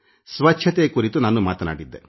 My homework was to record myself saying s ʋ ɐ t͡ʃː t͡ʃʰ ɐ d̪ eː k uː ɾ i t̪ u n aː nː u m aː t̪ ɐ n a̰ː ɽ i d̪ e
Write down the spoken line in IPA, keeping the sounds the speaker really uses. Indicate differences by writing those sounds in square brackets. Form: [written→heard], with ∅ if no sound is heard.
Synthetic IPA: s ʋ ɐ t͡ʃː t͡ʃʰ ɐ [d̪→t̪] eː k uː ɾ i t̪ u n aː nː u m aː t̪ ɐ n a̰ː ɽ i [d̪→d̪ː] e